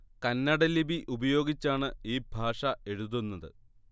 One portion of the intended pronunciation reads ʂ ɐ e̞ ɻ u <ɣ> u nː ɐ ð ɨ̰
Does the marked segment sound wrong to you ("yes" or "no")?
yes